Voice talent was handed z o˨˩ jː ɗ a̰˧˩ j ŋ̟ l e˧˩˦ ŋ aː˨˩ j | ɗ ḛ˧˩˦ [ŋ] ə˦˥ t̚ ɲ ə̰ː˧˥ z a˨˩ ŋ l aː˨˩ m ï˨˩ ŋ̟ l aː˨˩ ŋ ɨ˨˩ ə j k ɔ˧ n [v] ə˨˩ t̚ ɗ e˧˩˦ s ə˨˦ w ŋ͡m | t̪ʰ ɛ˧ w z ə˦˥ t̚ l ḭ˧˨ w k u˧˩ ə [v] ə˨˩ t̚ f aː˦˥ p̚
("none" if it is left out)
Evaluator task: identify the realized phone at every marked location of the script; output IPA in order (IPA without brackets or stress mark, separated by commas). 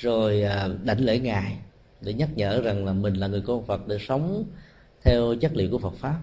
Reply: ɲ, f, f